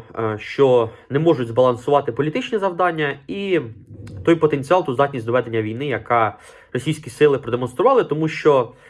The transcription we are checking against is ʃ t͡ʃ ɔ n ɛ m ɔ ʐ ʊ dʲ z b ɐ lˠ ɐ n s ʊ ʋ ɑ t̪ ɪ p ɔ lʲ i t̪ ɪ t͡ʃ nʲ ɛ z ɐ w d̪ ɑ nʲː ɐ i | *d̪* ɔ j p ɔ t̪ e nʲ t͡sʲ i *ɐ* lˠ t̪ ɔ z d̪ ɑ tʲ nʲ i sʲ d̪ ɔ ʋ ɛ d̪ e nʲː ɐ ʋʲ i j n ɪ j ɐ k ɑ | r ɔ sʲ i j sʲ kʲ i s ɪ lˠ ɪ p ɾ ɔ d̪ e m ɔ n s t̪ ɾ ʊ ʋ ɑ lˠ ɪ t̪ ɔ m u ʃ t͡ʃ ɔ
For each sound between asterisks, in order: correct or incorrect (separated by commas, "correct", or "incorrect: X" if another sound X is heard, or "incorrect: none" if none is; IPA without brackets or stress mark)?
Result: incorrect: t̪, incorrect: ɑ